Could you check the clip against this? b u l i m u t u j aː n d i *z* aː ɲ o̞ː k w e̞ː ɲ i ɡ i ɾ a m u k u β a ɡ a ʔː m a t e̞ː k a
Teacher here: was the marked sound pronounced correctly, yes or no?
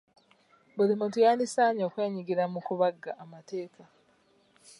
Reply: no